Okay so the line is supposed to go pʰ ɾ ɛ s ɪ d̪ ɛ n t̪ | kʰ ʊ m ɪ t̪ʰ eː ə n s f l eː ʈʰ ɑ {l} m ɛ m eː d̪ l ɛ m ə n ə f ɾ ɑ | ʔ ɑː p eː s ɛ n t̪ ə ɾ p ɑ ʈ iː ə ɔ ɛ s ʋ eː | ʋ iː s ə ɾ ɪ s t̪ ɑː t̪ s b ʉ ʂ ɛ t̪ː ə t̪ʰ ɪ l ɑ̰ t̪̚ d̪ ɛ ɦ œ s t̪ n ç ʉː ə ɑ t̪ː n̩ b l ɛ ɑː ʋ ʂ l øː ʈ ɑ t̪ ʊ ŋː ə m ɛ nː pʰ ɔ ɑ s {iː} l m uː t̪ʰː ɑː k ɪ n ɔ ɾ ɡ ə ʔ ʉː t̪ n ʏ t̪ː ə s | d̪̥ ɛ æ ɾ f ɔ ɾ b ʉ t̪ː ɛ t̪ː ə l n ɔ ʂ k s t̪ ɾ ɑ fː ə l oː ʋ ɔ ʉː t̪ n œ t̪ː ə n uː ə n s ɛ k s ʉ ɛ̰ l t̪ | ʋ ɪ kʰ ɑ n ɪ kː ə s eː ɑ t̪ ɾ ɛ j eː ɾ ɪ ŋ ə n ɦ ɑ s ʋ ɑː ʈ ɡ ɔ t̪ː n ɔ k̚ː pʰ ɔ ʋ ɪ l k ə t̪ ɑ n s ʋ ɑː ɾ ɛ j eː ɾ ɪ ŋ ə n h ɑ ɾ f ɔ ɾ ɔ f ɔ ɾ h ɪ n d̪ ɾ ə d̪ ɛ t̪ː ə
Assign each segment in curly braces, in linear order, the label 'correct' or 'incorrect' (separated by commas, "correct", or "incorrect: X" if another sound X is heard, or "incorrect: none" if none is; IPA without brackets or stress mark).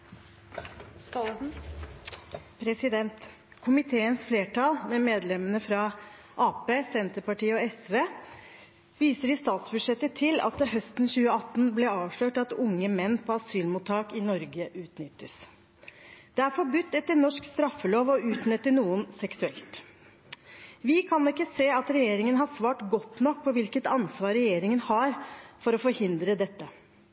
correct, incorrect: yː